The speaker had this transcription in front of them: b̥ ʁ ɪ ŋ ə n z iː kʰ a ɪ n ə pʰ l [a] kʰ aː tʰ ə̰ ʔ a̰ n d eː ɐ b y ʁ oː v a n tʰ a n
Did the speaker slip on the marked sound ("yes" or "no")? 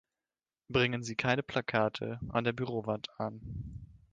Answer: no